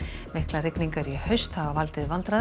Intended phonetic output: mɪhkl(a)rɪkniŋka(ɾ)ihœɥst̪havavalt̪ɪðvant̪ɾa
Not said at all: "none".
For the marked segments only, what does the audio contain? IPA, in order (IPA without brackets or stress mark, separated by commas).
a, ɾ